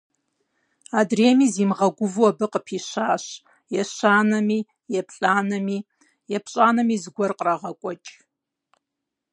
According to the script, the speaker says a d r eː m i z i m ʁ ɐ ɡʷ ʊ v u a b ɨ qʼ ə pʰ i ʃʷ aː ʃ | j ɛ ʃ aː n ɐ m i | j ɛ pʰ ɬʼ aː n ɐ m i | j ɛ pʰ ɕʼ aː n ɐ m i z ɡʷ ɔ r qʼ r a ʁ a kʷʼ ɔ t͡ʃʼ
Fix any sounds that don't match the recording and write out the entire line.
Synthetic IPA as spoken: a d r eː m i z i m ʁ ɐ ɡʷ ʊ v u a b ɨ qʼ ə pʰ i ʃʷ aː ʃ | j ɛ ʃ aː n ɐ m i | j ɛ pʰ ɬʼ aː n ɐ m i | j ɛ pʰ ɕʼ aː n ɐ m i z ɡʷ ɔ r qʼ r a ʁ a kʷʼ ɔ t͡ʃʼ